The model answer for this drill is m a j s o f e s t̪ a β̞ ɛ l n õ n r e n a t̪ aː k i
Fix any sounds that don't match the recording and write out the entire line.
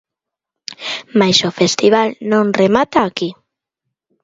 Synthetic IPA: m a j s o f e s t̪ i β̞ a l n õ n r e m a t̪ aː k i